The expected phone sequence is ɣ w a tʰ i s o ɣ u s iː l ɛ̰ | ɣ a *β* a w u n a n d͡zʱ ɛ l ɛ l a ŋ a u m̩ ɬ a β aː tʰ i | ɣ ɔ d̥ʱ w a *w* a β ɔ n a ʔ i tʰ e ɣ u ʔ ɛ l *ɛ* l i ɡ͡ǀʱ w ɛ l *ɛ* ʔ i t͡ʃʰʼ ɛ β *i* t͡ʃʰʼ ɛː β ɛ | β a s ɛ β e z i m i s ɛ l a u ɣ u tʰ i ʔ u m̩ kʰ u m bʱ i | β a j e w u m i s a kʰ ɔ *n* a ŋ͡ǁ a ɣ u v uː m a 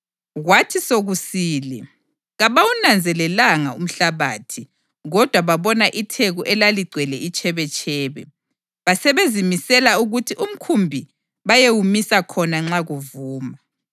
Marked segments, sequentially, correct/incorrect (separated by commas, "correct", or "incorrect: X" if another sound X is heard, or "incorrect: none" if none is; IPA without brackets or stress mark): correct, incorrect: β, incorrect: a, correct, incorrect: ɛ, correct